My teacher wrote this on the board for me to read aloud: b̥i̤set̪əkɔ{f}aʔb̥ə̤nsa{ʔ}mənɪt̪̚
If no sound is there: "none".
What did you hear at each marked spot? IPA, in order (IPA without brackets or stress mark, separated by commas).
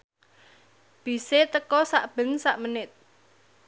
s, ʔ